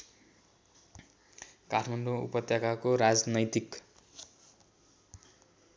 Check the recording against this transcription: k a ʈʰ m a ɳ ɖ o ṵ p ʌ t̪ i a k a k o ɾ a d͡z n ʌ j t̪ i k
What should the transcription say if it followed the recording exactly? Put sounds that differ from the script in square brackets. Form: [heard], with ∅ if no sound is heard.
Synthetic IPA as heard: k a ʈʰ m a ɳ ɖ o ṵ p ʌ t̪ [j] a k a k o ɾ a d͡z n ʌ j t̪ i k